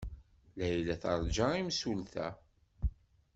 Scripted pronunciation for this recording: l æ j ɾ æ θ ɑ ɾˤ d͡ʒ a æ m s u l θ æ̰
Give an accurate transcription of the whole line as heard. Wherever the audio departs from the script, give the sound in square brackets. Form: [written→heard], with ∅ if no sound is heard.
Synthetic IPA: l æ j [ɾ→l] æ θ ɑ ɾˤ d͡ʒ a [æ→i] m s u l θ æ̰